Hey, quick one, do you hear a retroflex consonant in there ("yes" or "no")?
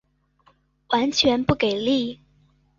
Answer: no